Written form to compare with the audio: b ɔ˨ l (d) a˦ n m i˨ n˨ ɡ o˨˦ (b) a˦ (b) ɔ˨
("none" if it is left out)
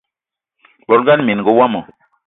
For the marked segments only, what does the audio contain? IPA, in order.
ɡ, w, m

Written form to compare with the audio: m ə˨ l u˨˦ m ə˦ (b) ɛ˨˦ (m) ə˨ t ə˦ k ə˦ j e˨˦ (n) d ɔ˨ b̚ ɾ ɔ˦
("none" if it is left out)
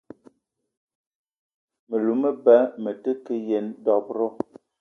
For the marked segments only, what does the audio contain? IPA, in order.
b, m, n

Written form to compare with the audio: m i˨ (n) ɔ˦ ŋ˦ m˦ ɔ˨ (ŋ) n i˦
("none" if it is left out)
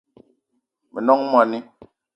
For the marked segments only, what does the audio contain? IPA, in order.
n, none

